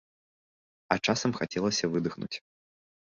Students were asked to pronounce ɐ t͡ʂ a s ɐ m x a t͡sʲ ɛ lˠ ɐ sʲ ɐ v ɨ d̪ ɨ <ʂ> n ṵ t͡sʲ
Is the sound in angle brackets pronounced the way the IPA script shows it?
no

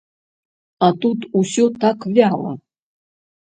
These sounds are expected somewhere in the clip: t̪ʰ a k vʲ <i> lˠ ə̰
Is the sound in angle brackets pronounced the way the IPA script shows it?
no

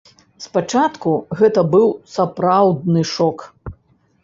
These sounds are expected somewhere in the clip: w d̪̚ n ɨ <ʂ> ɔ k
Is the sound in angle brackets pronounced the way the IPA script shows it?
yes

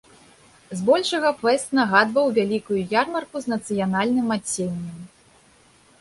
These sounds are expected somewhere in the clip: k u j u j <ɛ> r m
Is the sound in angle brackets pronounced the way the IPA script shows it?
no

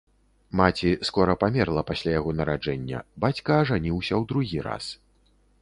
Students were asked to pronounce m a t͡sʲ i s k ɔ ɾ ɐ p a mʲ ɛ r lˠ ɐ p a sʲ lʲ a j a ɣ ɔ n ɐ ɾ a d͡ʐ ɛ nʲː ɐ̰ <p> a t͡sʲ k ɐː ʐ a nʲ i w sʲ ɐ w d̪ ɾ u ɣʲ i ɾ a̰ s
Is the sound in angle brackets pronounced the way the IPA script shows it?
no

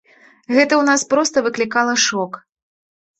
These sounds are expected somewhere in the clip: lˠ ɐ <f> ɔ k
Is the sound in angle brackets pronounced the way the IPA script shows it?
no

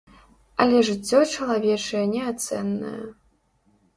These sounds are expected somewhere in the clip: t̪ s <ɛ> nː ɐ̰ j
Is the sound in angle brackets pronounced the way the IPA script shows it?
yes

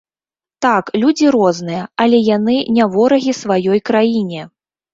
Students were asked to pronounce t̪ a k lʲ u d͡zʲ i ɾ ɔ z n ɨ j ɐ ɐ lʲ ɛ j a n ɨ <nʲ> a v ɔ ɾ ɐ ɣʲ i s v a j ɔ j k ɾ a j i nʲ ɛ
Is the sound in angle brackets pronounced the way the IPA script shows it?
yes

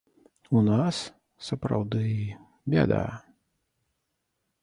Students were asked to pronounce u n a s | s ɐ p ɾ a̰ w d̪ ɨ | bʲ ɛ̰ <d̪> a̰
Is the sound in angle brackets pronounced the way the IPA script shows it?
yes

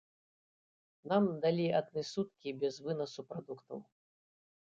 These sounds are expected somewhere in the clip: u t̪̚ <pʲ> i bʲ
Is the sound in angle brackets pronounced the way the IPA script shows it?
no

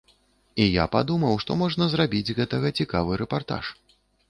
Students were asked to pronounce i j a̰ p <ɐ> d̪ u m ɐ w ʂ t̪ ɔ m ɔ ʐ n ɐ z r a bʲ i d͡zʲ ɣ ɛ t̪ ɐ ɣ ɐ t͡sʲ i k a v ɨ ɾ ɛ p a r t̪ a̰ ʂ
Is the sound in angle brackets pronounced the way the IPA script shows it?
no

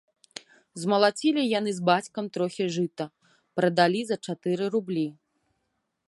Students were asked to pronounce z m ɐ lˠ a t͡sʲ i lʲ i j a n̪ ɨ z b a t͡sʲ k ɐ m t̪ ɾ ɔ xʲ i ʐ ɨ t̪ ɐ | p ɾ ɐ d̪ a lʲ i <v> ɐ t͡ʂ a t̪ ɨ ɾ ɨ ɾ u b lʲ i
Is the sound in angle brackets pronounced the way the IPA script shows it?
no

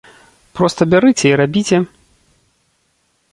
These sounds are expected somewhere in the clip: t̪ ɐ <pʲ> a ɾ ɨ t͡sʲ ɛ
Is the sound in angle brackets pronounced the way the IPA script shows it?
no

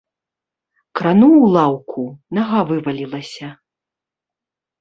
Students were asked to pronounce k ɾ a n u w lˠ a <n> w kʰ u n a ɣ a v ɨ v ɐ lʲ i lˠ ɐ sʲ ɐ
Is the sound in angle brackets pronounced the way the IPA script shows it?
no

